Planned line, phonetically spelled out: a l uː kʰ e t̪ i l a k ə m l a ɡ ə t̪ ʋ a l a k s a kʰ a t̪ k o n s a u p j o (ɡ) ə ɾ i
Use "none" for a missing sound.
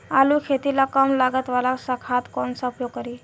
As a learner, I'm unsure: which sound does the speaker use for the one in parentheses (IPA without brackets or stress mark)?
k